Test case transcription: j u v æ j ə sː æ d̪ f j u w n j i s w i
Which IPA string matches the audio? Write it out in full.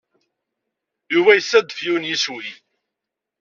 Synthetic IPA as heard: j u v æ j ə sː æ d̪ f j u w n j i s w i